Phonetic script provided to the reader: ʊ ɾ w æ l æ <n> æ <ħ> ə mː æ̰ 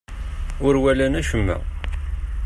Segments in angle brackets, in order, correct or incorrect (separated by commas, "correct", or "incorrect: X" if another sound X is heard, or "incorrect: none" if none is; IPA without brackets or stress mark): correct, incorrect: ʃ